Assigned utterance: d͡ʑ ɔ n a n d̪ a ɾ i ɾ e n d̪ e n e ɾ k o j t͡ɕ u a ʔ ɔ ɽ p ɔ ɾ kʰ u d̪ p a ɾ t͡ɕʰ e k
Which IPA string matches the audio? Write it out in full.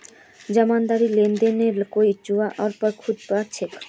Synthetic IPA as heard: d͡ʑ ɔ m a n d̪ a ɾ i l e n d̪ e n e ɾ k o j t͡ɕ u a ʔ ɔ ɾ p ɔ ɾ kʰ u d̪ p a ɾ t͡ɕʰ e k